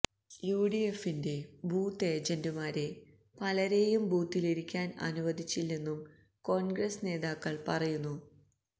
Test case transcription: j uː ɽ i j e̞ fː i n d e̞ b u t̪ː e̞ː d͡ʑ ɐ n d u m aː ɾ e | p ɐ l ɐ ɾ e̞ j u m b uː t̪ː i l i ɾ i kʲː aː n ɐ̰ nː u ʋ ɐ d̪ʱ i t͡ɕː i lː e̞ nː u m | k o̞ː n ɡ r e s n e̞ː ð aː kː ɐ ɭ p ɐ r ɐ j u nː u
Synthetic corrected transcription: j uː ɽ i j e̞ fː i n d e̞ b uː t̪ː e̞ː d͡ʑ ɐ n d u m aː ɾ e | p ɐ l ɐ ɾ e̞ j u m b uː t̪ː i l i ɾ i kʲː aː n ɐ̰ n u ʋ ɐ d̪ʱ i t͡ɕː i lː e̞ nː u m | k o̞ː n ɡ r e s n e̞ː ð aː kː ɐ ɭ p ɐ r ɐ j u nː u

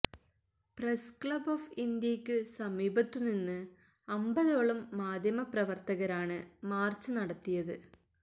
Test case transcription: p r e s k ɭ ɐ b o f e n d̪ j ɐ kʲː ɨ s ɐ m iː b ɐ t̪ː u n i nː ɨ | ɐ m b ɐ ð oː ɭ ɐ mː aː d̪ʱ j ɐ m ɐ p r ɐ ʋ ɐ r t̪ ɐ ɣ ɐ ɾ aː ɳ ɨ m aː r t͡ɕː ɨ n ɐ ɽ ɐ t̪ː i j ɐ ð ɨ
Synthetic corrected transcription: p r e s k ɭ ɐ b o f i n d̪ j ɐ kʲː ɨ s ɐ m iː b ɐ t̪ː u n i nː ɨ | ɐ m b ɐ ð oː ɭ ɐ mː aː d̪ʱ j ɐ m ɐ p r ɐ ʋ ɐ r t̪ ɐ ɣ ɐ ɾ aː ɳ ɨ m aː r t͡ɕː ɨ n ɐ ɽ ɐ t̪ː i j ɐ ð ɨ

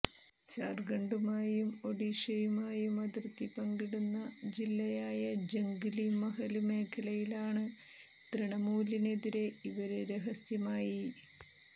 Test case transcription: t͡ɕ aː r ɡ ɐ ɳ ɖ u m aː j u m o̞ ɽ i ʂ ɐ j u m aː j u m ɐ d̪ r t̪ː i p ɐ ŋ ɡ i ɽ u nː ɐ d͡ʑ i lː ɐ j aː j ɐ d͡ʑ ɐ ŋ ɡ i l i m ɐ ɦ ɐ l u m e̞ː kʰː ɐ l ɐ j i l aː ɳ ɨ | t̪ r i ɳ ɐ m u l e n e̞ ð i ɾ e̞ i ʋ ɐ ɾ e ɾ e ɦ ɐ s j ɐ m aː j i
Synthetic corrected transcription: t͡ɕ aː r ɡ ɐ ɳ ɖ u m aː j u m o̞ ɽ i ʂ ɐ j u m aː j u m ɐ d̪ r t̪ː i p ɐ ŋ ɡ i ɽ u nː ɐ d͡ʑ i lː ɐ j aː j ɐ d͡ʑ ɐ ŋ ɡ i l i m ɐ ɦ ɐ l u m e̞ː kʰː ɐ l ɐ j i l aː ɳ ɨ | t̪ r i ɳ ɐ m uː l i n e̞ ð i ɾ e̞ i ʋ ɐ ɾ e ɾ e ɦ ɐ s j ɐ m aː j i

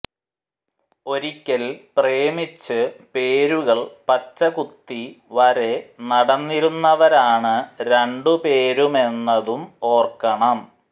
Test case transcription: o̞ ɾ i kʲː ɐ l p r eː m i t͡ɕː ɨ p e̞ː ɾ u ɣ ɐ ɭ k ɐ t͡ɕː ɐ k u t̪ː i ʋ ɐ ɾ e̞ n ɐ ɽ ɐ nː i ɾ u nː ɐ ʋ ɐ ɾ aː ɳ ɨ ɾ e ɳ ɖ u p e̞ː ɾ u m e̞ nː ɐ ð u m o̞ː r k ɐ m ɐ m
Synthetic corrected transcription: o̞ ɾ i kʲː ɐ l p r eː m i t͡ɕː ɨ p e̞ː ɾ u ɣ ɐ ɭ p ɐ t͡ɕː ɐ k u t̪ː i ʋ ɐ ɾ e̞ n ɐ ɽ ɐ nː i ɾ u nː ɐ ʋ ɐ ɾ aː ɳ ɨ ɾ e ɳ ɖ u p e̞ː ɾ u m e̞ nː ɐ ð u m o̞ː r k ɐ ɳ ɐ m

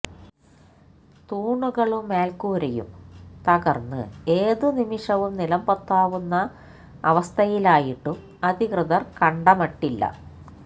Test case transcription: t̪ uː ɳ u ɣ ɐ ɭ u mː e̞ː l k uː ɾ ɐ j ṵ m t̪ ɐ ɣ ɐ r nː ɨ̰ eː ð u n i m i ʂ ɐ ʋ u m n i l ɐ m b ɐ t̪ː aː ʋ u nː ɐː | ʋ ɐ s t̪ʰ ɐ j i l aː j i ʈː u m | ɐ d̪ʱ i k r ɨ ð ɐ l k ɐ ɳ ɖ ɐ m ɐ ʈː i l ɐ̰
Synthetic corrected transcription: t̪ uː ɳ u ɣ ɐ ɭ u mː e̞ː l k uː ɾ ɐ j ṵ m t̪ ɐ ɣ ɐ r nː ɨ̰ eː ð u n i m i ʂ ɐ ʋ u m n i l ɐ m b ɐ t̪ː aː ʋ u nː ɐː | ʋ ɐ s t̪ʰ ɐ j i l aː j i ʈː u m | ɐ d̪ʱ i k r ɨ ð ɐ r k ɐ ɳ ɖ ɐ m ɐ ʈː i lː ɐ̰

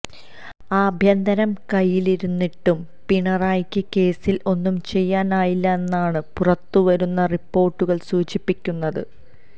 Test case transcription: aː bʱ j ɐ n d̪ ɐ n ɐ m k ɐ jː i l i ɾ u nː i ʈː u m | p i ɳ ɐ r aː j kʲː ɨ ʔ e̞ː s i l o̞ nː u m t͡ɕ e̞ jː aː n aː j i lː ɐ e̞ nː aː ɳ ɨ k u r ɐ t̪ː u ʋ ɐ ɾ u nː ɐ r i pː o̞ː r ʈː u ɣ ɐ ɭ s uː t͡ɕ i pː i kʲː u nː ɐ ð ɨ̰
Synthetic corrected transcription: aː bʱ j ɐ n d̪ ɐ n ɐ m k ɐ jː i l i ɾ u nː i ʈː u m | p i ɳ ɐ r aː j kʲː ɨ k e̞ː s i l o̞ nː u m t͡ɕ e̞ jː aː n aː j i lː ɐ e̞ nː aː ɳ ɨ p u r ɐ t̪ː u ʋ ɐ ɾ u nː ɐ r i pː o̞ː r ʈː u ɣ ɐ ɭ s uː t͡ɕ i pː i kʲː u nː ɐ ð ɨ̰

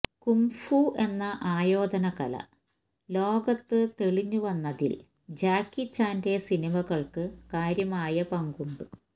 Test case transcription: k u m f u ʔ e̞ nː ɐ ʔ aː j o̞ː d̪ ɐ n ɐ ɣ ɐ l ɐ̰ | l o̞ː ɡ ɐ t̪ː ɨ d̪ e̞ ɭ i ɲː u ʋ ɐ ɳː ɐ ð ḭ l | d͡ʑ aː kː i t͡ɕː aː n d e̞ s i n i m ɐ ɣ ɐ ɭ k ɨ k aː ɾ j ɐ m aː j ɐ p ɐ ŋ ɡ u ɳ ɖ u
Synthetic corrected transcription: k u m f u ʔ e̞ nː ɐ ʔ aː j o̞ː d̪ ɐ n ɐ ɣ ɐ l ɐ̰ | l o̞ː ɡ ɐ t̪ː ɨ t̪ e̞ ɭ i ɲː u ʋ ɐ nː ɐ ð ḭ l | d͡ʑ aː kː i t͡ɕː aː n d e̞ s i n i m ɐ ɣ ɐ ɭ k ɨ k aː ɾ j ɐ m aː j ɐ p ɐ ŋ ɡ u ɳ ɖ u

